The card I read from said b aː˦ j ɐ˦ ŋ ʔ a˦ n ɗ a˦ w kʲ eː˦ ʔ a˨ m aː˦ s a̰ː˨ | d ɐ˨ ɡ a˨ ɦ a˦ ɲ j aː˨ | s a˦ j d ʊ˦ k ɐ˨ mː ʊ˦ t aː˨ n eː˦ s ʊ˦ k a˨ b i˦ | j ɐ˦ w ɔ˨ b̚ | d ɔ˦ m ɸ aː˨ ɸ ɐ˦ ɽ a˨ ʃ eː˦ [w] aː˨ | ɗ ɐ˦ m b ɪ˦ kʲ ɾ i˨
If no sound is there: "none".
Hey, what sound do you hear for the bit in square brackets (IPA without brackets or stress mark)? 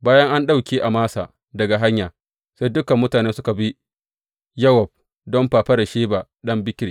b